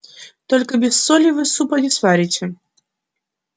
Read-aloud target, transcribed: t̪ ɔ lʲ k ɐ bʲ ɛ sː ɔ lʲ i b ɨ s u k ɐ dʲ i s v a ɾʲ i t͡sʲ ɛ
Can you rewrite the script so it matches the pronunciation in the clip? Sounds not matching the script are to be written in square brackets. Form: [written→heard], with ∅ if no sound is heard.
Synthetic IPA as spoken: t̪ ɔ lʲ k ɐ bʲ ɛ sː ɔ lʲ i [b→v] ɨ s u [k→p] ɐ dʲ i s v a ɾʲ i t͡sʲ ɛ